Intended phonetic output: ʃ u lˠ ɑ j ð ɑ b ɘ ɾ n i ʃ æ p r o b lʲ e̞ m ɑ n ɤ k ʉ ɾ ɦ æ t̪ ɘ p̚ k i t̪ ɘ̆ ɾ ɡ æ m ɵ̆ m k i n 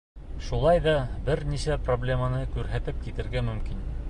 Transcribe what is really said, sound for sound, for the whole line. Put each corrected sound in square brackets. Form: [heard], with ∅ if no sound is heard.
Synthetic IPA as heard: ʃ u lˠ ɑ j ð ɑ b ɘ ɾ n i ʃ æ p r o b lʲ e̞ m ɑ n ɤ k ʉ ɾ ɦ æ t̪ ɘ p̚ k i t̪ ɘ̆ ɾ ɡ æ m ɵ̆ m k i n